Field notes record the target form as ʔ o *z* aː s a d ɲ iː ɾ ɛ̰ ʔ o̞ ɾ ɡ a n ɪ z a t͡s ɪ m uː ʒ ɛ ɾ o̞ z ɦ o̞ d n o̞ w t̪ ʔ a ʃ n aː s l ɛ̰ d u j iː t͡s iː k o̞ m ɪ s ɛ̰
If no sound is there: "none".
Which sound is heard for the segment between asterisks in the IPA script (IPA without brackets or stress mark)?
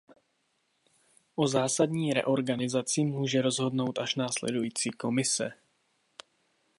z